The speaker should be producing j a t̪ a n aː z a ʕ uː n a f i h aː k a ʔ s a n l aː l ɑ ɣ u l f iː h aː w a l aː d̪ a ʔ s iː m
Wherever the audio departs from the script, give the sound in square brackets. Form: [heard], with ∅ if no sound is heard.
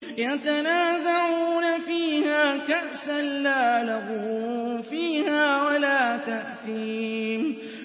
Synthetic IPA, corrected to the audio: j a t̪ a n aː z a ʕ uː n a f [iː] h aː k a ʔ s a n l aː l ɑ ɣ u [∅] f iː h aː w a l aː [t̪] a ʔ [θ] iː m